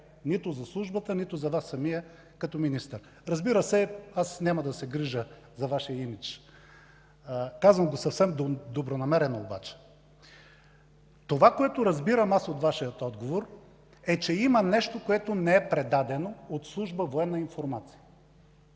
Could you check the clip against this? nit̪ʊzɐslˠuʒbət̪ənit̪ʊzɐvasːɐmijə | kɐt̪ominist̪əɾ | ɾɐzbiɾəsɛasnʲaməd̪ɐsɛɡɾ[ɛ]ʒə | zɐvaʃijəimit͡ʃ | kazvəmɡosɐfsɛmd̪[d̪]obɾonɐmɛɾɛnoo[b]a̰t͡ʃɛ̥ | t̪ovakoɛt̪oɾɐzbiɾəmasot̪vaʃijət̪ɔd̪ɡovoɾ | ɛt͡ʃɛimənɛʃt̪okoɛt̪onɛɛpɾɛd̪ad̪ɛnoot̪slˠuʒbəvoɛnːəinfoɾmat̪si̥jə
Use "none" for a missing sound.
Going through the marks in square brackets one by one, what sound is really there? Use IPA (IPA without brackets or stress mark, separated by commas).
i, d̪, b